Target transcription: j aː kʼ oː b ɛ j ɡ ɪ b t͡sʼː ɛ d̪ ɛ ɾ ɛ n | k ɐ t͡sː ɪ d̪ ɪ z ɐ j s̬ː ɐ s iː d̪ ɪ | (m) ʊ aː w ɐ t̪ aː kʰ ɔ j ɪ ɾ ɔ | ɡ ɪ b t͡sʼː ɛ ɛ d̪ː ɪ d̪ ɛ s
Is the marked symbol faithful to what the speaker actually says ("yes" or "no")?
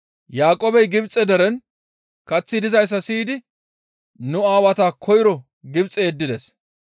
no